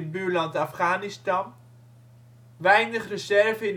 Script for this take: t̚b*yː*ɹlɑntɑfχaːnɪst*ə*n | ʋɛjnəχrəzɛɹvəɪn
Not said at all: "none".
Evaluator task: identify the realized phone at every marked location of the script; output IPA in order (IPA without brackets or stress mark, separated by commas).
yː, ɑ